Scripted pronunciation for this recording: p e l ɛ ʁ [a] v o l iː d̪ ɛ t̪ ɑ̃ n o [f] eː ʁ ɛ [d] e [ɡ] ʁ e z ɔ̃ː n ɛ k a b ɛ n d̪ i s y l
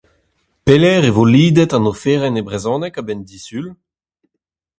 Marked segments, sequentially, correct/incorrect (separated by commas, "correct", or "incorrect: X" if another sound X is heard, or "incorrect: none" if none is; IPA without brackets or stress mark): incorrect: e, correct, incorrect: n, incorrect: b